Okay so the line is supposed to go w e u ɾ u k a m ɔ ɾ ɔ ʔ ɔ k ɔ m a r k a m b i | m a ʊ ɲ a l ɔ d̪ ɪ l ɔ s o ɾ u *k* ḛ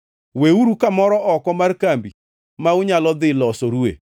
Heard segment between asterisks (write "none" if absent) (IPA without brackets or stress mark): none